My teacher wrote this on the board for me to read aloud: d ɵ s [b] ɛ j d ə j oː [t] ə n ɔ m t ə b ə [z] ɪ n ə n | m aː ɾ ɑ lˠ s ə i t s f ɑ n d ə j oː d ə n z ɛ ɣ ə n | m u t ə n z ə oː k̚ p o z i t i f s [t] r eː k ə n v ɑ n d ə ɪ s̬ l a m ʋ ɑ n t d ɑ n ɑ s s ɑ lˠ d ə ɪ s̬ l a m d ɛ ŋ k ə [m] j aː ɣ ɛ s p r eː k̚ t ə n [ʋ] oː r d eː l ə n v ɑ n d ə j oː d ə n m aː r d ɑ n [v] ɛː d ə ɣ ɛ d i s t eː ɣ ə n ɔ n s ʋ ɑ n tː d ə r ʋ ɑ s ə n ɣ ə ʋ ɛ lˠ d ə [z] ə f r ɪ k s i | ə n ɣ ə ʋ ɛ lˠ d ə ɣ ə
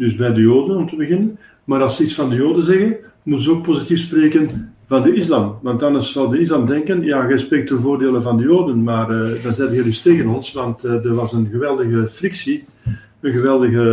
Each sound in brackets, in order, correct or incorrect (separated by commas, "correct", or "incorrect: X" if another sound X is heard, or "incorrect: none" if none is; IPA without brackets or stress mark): correct, incorrect: d, incorrect: ɣ, incorrect: p, incorrect: n, incorrect: v, incorrect: z, incorrect: ɣ